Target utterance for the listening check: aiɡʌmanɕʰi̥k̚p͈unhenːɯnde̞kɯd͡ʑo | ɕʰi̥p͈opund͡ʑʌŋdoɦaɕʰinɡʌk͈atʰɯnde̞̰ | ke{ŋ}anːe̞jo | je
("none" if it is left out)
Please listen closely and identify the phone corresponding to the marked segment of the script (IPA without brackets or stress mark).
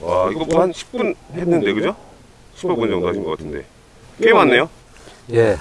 m